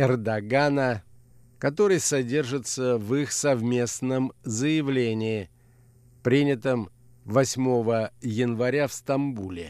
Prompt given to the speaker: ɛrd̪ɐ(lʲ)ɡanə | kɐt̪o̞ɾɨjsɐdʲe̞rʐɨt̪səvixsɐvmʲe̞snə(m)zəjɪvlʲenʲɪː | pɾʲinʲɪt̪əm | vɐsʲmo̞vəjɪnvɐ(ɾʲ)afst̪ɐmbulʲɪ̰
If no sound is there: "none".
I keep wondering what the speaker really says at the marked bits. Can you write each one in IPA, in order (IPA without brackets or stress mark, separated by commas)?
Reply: none, m, ɾʲ